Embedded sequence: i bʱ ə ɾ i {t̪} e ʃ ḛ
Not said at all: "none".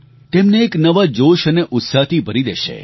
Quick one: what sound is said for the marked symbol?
d̪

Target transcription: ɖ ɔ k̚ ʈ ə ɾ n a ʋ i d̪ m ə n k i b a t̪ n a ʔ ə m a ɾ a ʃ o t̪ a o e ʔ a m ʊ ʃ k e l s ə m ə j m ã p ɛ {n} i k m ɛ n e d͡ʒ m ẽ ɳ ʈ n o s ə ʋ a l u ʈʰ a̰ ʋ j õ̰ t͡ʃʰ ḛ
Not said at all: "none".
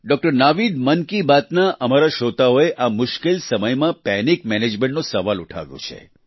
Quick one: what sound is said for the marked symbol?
n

